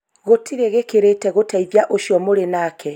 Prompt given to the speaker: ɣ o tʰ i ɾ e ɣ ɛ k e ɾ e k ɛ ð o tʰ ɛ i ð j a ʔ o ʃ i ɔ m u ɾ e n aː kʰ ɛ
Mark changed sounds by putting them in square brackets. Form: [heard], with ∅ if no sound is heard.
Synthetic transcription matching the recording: ɣ o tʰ i ɾ e ɣ [e] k e ɾ e [t] ɛ [ɣ] o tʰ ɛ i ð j a ʔ o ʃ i ɔ m [o] ɾ e n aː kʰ ɛ

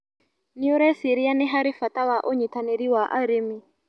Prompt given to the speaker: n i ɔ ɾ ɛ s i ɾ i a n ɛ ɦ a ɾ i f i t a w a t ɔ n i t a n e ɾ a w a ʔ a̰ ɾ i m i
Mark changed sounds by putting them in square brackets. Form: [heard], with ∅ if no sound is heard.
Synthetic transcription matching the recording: n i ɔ ɾ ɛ s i ɾ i a n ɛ ɦ a ɾ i f [a] t a w a [ʔ] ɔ [ɲ] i t a n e ɾ [i] w a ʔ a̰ ɾ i m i

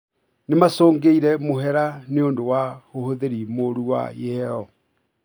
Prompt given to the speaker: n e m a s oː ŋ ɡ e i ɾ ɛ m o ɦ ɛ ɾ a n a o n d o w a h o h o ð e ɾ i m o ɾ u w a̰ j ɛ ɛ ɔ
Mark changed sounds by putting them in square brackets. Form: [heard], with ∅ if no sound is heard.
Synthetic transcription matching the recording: n e m a s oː ŋ ɡ e i ɾ ɛ m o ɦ ɛ ɾ a n [e] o n d o w a h o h o ð e ɾ i m o ɾ u w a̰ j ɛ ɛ ɔ

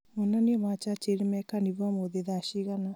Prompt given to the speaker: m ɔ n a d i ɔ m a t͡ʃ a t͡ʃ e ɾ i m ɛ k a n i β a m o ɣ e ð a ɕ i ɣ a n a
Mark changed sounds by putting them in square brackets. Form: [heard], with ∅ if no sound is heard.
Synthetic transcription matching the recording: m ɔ n a [n] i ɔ m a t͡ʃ a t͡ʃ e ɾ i m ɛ k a n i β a m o [ð] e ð a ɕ i ɣ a n a

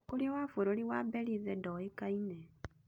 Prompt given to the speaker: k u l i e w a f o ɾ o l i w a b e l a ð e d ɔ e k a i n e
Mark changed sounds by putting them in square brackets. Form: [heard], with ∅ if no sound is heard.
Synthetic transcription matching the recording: k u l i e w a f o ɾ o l i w a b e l [i] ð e d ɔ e k a i n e

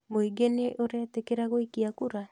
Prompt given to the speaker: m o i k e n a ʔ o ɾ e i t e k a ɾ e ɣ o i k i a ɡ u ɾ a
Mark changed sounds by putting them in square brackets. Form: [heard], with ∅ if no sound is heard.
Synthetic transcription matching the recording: m o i [ɡ] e n [e] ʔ o ɾ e [a] t e k [e] ɾ [a] ɣ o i k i a [k] u ɾ a

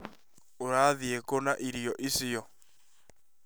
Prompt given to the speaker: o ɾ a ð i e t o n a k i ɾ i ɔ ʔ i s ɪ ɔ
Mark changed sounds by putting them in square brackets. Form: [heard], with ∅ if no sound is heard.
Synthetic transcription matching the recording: o ɾ a ð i e [k] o n a [ʔ] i ɾ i ɔ ʔ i s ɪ ɔ

